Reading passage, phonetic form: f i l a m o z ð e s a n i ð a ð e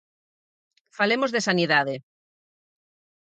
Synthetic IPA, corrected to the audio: f a l e m o z ð e s a n i ð a ð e